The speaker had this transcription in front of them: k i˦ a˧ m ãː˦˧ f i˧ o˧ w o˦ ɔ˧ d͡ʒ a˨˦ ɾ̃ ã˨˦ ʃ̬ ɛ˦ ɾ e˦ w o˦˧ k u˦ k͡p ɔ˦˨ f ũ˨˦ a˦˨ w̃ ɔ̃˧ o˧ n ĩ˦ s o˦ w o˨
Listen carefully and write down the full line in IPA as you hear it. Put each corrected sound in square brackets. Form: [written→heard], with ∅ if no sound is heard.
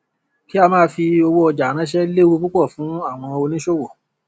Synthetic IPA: k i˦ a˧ m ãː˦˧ f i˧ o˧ w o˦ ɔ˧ d͡ʒ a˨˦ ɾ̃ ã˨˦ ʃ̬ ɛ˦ [ɾ→l] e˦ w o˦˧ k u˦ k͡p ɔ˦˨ f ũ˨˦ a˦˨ w̃ ɔ̃˧ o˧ n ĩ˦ [s→ʃ] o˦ w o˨